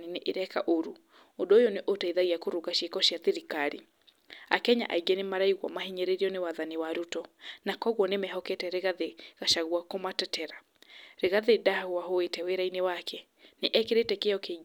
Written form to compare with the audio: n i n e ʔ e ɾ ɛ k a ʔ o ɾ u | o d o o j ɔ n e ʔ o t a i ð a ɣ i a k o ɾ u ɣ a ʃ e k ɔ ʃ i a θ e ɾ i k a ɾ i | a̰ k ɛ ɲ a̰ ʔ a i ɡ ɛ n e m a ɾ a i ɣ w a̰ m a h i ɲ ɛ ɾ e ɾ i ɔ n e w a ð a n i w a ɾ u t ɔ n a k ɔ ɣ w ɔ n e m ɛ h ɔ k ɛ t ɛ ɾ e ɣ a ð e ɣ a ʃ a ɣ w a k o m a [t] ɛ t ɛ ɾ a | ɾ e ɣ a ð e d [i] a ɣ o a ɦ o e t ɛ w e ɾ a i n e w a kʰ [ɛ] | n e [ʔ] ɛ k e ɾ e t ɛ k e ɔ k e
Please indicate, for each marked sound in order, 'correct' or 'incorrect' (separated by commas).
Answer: correct, incorrect, correct, correct